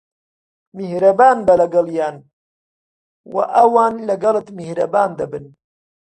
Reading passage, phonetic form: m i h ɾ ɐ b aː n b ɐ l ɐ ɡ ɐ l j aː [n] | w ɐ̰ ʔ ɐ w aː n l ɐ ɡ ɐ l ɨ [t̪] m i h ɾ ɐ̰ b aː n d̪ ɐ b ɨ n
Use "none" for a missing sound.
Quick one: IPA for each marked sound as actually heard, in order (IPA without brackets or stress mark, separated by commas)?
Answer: n, t̪